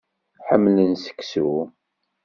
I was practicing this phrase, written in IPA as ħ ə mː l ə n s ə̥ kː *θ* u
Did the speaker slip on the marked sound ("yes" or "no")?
yes